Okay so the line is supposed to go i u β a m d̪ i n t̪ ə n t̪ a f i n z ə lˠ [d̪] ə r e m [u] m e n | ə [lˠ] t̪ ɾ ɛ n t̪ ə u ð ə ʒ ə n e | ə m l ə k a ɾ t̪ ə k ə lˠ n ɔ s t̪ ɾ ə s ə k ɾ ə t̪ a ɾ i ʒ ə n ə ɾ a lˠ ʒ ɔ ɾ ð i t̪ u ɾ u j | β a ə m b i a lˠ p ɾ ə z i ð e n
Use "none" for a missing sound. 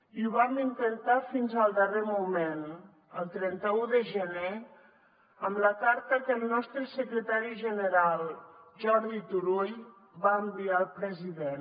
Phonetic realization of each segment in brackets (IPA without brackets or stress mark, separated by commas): d̪, u, lˠ